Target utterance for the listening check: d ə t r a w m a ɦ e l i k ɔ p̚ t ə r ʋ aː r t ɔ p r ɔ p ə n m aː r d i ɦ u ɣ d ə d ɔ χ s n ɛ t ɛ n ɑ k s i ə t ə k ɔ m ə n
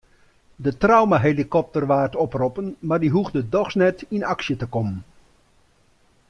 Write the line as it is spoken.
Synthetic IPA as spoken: d ə t r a w m a ɦ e l i k ɔ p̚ t ə r ʋ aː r t ɔ p r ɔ p ə n m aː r d i ɦ u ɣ d ə d ɔ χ s n ɛ t i n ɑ k s j ə t ə k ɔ m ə n

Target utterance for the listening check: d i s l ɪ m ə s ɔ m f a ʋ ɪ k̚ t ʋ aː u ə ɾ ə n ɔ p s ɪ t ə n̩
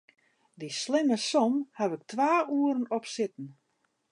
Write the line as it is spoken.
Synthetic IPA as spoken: d i s l ɪ m ə s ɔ m h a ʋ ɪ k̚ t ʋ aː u ə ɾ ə n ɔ p s ɪ t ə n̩

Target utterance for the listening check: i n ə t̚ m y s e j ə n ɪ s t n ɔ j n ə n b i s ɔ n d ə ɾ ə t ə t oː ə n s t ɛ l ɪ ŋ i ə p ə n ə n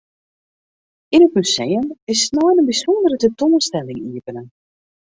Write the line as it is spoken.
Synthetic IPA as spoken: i n ə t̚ m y s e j ə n ɪ s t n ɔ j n ə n b i s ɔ n d ə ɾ ə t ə t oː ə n s t ɛ l ɪ ŋ i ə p ə n ə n

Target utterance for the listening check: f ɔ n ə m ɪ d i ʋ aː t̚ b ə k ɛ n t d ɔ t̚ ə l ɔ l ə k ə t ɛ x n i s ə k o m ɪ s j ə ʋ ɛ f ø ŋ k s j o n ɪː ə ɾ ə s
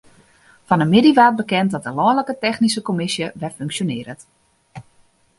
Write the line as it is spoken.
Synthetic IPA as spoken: f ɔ n ə m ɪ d i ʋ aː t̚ b ə k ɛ n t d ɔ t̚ ə l ɔ l ə k ə t ɛ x n i s ə k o m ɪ s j ə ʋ ɛ f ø ŋ k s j o n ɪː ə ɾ ə t

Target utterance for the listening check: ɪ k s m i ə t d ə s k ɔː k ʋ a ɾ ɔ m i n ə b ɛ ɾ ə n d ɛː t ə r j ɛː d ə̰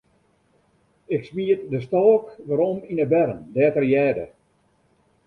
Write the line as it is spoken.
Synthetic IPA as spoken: ɪ k s m i ə t d ə s t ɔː k ʋ a ɾ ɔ m i n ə b ɛ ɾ ə n d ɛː t ə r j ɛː d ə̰

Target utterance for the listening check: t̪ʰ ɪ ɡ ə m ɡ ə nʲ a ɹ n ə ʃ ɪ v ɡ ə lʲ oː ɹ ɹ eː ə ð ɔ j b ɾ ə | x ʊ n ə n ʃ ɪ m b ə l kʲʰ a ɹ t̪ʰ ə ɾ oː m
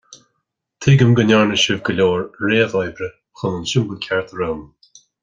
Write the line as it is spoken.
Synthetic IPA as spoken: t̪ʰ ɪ ɡ ə m ɡ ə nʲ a ɹ n ə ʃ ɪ v ɡ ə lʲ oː ɹ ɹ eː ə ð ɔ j b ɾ ə | x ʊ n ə n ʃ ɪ m b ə l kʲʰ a ɹ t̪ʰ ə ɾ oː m

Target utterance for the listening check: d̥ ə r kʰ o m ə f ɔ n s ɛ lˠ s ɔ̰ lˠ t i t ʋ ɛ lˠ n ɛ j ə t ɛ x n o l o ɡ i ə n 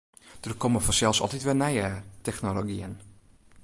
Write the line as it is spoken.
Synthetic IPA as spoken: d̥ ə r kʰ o m ə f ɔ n s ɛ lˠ s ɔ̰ lˠ t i t ʋ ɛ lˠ n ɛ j ə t ɛ x n o l o ɡ i ə n

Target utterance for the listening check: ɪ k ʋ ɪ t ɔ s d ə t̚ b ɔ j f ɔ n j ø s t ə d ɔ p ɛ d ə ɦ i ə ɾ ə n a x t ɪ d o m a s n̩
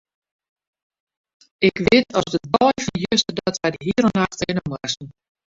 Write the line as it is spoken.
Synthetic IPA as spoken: ɪ k ʋ ɪ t ɔ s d ə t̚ b ɔ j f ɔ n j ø s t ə d ɔ t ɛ d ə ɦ i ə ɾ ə n a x t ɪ n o m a s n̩

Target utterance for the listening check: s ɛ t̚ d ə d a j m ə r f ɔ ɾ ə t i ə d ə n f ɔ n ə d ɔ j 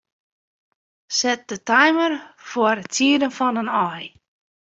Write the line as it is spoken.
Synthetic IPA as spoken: s ɛ t̚ d ə t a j m ə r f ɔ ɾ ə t i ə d ə n f ɔ n ə n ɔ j

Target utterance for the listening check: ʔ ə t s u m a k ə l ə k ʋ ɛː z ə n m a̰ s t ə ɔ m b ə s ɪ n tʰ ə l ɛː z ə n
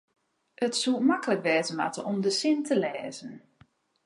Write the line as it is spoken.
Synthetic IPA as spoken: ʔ ə t s u m a k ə l ə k ʋ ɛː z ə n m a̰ t ə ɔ m d ə s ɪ n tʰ ə l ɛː z ə n

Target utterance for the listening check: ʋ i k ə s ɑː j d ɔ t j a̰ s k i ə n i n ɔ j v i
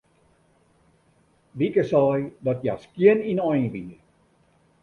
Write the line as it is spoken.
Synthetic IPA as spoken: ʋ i k ə s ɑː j d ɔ t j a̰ s k i ə n i n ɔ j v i

